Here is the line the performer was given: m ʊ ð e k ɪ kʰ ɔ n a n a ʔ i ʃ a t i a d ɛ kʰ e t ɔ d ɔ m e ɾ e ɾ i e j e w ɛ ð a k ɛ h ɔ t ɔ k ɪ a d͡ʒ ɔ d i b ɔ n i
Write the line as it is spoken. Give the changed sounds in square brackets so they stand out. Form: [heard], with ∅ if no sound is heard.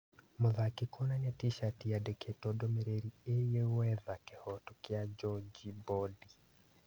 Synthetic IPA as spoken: m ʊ ð [a] k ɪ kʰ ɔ n a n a [t] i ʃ a t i a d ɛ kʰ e t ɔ d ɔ m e ɾ e ɾ i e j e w ɛ ð a k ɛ h ɔ t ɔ k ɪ a d͡ʒ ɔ [d͡ʒ] i b ɔ [d] i